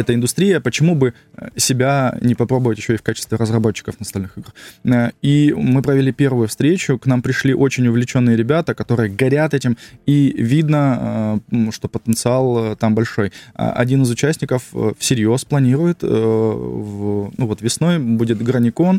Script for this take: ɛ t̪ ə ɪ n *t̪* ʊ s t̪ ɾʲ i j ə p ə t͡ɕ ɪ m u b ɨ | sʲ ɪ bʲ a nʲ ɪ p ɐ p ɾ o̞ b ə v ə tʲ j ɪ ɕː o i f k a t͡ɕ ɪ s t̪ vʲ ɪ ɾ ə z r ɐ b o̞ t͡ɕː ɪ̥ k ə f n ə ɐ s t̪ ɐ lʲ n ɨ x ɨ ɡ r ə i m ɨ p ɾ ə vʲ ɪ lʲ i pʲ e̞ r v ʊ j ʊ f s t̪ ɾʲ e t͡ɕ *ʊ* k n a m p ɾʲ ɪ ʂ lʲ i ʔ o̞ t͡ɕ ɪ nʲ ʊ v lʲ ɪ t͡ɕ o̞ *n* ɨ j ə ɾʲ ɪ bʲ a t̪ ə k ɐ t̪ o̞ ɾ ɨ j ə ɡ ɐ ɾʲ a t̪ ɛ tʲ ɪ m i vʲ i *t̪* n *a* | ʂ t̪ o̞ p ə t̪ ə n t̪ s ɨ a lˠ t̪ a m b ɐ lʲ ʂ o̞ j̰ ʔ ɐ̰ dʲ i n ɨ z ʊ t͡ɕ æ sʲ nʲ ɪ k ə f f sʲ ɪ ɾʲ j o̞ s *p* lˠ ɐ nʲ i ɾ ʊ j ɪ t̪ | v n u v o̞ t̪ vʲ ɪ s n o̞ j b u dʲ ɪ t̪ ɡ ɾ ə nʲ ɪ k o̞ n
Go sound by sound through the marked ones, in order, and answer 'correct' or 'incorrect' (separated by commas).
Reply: incorrect, correct, incorrect, incorrect, incorrect, correct